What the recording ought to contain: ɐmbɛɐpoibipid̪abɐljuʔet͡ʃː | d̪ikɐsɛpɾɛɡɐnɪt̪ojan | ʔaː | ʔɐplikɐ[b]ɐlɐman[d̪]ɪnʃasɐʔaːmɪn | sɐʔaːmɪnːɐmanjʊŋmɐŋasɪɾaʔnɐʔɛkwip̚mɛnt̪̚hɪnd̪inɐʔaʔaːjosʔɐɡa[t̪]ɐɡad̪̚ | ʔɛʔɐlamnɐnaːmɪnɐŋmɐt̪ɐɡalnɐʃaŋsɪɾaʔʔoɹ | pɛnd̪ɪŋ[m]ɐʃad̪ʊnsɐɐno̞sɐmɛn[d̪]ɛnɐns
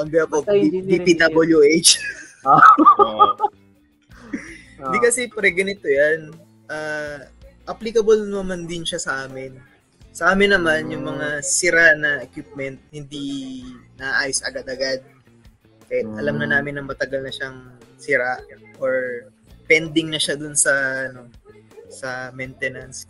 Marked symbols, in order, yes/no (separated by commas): yes, yes, no, no, no